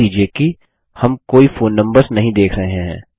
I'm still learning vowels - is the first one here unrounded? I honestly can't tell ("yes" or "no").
yes